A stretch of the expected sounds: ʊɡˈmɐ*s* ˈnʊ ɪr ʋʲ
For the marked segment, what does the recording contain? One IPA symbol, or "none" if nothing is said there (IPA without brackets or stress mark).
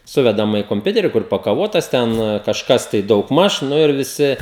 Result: ʃ